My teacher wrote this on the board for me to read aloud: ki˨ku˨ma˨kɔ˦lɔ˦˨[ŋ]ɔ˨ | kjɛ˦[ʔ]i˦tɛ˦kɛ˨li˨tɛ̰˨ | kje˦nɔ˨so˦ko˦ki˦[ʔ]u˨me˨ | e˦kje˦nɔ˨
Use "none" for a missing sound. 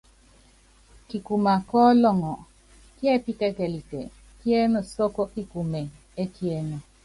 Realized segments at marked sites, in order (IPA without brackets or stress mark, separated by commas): ŋ, p, k